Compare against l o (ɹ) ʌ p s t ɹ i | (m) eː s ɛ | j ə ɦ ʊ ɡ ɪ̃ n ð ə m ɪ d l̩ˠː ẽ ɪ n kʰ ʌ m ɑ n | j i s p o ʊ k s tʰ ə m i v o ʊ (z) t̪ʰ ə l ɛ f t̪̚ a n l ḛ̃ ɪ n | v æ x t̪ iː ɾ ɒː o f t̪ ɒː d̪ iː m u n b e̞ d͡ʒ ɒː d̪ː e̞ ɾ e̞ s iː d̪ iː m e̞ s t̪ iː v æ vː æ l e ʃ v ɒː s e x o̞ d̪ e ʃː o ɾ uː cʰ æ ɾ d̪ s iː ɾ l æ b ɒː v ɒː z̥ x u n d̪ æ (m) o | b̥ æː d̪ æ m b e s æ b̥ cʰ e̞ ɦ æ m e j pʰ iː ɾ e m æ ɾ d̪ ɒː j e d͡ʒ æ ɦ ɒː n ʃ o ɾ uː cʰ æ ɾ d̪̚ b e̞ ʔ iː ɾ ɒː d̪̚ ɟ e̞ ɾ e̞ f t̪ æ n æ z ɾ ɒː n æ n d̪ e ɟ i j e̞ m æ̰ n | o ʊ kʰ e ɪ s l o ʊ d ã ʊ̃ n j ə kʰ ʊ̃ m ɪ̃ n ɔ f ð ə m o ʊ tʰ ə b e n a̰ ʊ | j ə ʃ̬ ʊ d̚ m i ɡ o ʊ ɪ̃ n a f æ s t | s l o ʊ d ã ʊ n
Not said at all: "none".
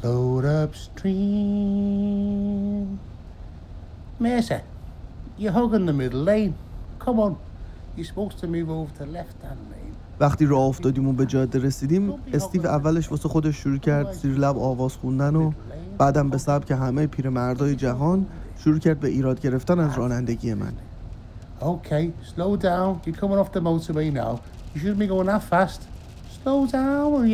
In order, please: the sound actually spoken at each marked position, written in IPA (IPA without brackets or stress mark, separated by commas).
ɾ, m, v, n